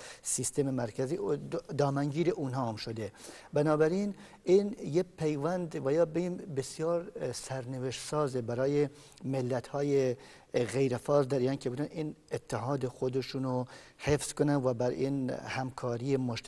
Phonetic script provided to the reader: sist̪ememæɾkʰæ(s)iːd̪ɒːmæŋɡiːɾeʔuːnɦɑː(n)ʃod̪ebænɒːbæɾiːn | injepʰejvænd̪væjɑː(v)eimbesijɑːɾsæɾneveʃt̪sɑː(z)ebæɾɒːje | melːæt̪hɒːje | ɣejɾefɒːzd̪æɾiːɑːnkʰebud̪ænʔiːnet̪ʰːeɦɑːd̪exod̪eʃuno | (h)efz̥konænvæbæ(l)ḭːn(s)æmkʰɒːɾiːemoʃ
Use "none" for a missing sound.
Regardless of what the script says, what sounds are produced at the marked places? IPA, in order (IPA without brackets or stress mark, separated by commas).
z, m, b, z, h, ɾ, h